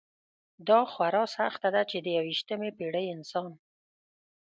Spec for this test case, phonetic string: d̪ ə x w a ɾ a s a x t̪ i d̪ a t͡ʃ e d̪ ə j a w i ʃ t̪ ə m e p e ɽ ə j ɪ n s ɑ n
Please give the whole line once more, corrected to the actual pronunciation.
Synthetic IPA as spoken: d̪ ɑ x w a ɾ ɑ s a x t̪ a d̪ a t͡ʃ e d̪ ə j a w i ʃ t̪ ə m e p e ɽ ə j ɪ n s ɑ n